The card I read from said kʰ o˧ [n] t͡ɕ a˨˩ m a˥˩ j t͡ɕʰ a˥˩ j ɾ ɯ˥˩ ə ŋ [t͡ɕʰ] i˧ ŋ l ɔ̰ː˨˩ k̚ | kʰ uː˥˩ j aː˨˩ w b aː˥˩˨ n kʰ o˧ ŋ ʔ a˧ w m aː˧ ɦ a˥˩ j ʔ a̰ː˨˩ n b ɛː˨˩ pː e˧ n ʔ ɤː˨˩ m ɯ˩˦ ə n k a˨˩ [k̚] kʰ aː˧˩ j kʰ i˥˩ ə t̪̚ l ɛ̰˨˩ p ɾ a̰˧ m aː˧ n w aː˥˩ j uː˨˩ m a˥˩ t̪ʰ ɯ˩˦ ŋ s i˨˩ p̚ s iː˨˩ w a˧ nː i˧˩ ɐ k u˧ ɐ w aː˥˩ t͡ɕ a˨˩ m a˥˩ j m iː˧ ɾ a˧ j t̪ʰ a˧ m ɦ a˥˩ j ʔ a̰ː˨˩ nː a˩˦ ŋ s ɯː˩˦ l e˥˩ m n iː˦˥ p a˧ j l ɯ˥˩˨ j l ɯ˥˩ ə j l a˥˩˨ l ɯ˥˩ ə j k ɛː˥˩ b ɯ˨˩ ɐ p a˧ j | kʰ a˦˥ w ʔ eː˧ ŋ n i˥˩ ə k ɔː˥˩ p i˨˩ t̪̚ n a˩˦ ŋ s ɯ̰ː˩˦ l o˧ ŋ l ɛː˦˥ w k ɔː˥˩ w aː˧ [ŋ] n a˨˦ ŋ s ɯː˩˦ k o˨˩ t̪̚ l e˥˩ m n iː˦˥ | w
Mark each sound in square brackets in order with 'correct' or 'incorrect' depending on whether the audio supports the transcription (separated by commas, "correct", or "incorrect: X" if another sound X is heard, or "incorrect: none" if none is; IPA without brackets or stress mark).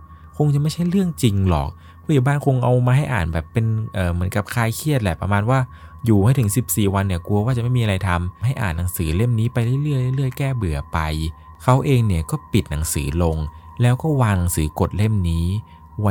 incorrect: ŋ, incorrect: t͡ɕ, incorrect: p̚, correct